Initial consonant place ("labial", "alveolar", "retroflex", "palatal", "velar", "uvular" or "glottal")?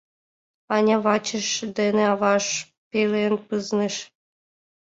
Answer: alveolar